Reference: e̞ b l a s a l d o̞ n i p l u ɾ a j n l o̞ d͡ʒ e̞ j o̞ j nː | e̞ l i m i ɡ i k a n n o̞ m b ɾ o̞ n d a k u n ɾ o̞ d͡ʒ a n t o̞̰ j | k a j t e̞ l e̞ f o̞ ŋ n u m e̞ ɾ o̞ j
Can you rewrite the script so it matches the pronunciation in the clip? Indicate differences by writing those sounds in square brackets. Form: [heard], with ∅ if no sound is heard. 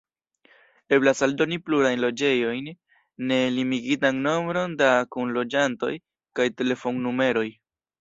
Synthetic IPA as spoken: e̞ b l a s a l d o̞ n i p l u ɾ a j n l o̞ d͡ʒ e̞ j o̞ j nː | e̞ l i m i ɡ i [t] a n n o̞ m b ɾ o̞ n d a k u n [l] o̞ d͡ʒ a n t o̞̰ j | k a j t e̞ l e̞ f o̞ ŋ n u m e̞ ɾ o̞ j